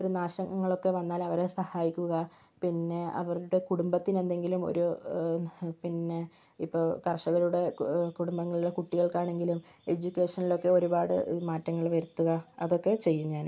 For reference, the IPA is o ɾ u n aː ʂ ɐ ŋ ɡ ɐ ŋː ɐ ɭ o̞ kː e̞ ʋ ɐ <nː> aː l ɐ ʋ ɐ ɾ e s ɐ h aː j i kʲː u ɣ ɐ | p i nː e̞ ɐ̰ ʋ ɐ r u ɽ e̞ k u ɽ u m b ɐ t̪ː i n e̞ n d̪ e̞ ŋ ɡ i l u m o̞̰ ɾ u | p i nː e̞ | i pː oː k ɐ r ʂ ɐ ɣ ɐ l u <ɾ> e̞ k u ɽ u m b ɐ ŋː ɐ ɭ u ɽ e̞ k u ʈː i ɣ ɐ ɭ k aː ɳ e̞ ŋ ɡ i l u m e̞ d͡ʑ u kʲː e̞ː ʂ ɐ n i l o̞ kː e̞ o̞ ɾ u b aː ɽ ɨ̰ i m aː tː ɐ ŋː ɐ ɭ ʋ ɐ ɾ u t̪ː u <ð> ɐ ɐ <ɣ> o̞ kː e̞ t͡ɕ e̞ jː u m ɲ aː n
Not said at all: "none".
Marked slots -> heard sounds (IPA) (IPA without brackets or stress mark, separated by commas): nː, ɽ, ɣ, ð